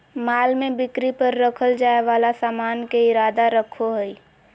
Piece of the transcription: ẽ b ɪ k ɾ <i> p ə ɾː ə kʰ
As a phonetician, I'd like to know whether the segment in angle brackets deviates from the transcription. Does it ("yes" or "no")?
no